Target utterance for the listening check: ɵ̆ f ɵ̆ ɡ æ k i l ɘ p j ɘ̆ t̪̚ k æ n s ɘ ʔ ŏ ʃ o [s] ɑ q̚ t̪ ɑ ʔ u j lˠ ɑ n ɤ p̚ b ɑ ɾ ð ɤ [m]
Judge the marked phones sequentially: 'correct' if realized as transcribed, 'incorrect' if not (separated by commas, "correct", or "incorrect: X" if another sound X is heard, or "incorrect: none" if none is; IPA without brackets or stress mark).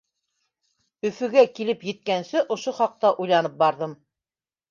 incorrect: χ, correct